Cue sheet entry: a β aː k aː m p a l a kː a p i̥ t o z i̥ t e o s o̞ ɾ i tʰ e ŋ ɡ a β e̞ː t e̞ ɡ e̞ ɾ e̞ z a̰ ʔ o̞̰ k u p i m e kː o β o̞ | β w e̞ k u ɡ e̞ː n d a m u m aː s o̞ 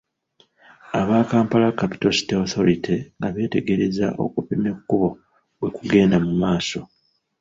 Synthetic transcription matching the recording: a β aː k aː m p a l a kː a p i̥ t o s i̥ t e o θ o̞ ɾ i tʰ e ŋ ɡ a β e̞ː t e̞ ɡ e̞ ɾ e̞ z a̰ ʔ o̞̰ k u p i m e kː u β o̞ | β w e̞ k u ɡ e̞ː n d a m u m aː s o̞